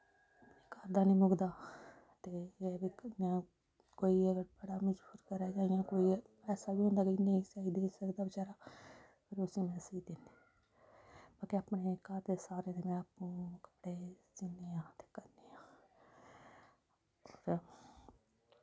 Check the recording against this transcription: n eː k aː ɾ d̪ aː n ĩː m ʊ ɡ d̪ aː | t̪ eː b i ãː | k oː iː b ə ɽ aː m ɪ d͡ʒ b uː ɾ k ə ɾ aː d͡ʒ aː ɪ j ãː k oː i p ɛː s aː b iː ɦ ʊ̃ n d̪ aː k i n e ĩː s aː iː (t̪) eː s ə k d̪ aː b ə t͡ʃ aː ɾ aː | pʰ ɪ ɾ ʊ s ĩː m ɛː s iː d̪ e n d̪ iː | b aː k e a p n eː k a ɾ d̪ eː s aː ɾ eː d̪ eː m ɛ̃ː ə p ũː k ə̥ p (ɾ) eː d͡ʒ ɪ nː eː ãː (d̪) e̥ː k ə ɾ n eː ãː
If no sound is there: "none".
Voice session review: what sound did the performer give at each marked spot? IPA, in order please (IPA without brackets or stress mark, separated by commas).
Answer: d̪, ɽ, t̪